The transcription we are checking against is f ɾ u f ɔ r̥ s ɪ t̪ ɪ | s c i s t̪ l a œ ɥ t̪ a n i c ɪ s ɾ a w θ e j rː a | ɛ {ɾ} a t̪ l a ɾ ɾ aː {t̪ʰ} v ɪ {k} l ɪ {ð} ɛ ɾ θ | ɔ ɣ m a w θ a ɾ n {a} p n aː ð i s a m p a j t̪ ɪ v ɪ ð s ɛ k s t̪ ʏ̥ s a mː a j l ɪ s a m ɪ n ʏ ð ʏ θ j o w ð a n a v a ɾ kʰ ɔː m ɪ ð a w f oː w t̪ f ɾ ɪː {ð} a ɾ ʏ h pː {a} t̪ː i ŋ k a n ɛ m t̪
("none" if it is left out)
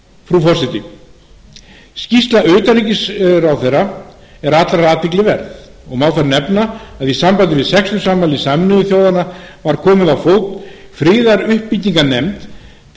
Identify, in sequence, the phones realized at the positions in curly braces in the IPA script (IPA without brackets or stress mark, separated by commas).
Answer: ɾ, t̪, k, v, ɛ, ð, i